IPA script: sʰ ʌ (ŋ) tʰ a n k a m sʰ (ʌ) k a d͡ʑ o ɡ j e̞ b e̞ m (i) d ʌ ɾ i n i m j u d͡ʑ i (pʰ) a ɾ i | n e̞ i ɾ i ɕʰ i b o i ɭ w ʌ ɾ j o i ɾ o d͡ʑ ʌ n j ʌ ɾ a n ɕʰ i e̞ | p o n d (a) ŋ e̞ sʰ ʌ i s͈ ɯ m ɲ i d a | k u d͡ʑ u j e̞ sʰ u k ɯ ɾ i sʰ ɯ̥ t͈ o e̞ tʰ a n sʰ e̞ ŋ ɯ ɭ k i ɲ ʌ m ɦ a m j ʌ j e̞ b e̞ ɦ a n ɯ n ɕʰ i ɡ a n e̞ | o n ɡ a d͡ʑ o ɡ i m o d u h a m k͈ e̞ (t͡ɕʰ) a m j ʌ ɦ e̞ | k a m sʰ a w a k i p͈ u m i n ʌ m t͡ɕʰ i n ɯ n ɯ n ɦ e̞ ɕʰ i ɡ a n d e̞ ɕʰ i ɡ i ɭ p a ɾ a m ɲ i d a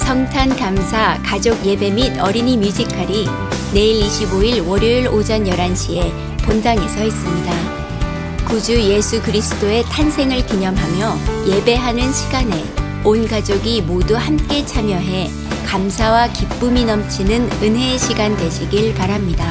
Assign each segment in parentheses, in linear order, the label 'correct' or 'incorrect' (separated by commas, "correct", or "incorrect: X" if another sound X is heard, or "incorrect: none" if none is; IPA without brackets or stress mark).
correct, incorrect: a, correct, incorrect: kʰ, correct, correct